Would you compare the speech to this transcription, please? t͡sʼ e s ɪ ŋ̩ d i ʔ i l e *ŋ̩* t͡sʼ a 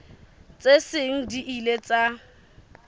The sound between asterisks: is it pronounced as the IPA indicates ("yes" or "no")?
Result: no